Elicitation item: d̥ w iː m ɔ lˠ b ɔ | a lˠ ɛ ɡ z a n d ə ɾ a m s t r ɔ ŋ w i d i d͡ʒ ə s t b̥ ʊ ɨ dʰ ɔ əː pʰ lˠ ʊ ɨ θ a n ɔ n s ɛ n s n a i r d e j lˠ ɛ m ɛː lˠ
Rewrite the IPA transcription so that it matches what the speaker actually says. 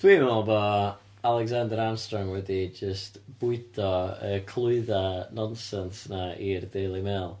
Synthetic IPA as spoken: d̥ w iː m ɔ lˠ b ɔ | a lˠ ɛ ɡ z a n d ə ɾ a m s t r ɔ ŋ w ɛ d i d͡ʒ ə s t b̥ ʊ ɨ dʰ ɔ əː kʰ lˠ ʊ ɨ ð a n ɔ n s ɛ n s n a i r d e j lˠ i m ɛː lˠ